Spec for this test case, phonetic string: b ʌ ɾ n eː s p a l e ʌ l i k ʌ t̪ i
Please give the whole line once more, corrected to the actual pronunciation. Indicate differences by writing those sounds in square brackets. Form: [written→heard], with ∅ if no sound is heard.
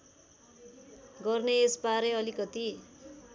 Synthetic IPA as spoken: [b→ɡ] ʌ [ɾ→r] n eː s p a [l→ɾ] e ʌ l i k ʌ t̪ i